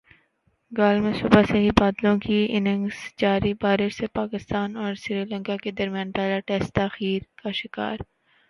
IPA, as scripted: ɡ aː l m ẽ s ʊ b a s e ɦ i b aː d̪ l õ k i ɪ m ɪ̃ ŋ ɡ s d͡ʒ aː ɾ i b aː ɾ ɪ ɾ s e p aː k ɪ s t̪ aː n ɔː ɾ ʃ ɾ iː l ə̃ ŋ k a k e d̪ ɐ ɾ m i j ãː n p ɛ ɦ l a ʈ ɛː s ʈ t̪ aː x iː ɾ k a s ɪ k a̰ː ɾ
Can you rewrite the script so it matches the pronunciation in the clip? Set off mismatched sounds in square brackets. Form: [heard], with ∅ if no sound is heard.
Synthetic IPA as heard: ɡ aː l m ẽ s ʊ b a s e ɦ i b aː d̪ l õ k i ɪ [n] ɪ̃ ŋ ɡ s d͡ʒ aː ɾ i b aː ɾ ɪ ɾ s e p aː k ɪ s t̪ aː n ɔː ɾ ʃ ɾ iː l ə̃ ŋ k a k e d̪ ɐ ɾ m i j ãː n p ɛ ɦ l a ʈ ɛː s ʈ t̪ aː x iː ɾ k a [ʃ] ɪ k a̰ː ɾ